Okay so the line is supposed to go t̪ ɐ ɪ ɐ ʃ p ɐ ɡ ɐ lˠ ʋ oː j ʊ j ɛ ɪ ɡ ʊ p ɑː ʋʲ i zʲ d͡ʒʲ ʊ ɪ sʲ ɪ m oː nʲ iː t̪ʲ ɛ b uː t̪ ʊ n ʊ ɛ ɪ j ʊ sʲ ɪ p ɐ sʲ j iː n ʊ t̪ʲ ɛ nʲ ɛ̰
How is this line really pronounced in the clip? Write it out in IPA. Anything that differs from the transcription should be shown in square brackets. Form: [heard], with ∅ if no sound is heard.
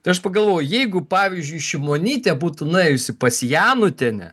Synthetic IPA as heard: t̪ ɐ ɪ ɐ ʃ p ɐ ɡ ɐ lˠ ʋ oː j ʊ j ɛ ɪ ɡ ʊ p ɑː ʋʲ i zʲ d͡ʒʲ ʊ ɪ [ʃʲ] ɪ m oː nʲ iː t̪ʲ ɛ b uː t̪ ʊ n ʊ ɛ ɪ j ʊ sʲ ɪ p ɐ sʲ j [æː] n ʊ t̪ʲ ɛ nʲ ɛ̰